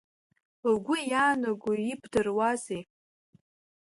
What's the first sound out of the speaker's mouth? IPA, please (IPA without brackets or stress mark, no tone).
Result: ɡʷ